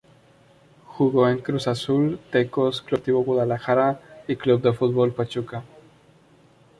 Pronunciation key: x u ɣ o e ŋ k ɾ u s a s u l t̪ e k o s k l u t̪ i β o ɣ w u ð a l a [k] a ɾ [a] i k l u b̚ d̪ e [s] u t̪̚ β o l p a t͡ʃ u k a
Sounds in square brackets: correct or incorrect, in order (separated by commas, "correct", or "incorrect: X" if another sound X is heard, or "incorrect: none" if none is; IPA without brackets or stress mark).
incorrect: x, correct, incorrect: f